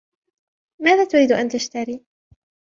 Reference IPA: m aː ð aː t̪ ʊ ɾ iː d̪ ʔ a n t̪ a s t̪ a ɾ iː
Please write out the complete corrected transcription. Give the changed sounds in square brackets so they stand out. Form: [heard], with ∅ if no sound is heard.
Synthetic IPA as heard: m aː ð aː t̪ ʊ ɾ iː d̪ ʔ a n t̪ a [ʃ] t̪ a ɾ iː